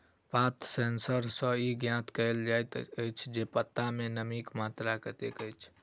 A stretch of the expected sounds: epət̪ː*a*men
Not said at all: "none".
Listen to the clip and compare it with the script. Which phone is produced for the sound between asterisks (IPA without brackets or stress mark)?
a